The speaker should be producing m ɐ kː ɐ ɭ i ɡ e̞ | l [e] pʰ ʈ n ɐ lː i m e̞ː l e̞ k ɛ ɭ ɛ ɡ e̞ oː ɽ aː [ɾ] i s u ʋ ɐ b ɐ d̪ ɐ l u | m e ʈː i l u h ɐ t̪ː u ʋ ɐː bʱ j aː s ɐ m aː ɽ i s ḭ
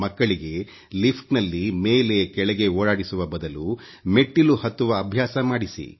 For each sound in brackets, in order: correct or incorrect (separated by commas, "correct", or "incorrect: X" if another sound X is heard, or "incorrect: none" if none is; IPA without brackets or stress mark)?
incorrect: i, incorrect: ɽ